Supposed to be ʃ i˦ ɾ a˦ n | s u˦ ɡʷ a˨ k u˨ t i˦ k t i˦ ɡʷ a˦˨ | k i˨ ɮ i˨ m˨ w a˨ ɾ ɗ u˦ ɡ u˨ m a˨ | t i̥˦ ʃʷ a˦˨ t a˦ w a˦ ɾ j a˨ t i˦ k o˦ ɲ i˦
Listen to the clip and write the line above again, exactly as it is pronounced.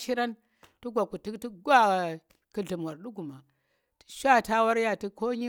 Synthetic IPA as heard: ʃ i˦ ɾ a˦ n | t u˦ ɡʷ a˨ k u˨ t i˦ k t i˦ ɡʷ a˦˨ | k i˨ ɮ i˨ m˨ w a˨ ɾ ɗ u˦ ɡ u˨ m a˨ | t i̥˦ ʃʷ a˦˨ t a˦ w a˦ ɾ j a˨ t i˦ k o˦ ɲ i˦